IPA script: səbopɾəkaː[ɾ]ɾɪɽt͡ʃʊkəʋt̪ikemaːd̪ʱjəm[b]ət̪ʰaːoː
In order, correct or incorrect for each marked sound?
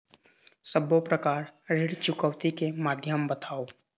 correct, correct

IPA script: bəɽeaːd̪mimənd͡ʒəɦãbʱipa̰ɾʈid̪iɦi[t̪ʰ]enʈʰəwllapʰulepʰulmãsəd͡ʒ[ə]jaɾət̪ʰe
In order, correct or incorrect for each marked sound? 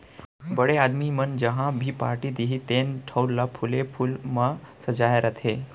incorrect: t̪, incorrect: a

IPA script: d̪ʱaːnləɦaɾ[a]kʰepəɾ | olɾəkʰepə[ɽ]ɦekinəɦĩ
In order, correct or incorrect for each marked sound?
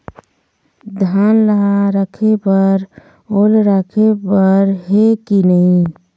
incorrect: ə, incorrect: ɾ

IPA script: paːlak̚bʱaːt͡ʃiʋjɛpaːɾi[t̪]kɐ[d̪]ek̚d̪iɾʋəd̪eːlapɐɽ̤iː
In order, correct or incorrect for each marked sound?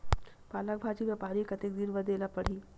incorrect: none, incorrect: t̪

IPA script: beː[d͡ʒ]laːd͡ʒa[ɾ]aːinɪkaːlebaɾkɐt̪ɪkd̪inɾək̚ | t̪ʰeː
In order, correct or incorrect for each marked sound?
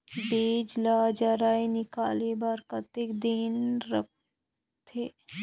correct, correct

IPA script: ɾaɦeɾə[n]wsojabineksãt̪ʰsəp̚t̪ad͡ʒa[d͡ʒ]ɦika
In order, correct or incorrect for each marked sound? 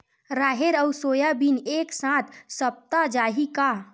incorrect: none, incorrect: none

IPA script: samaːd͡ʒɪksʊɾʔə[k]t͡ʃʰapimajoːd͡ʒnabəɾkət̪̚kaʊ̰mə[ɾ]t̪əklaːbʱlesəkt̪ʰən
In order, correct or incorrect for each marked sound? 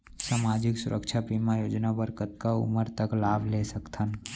correct, correct

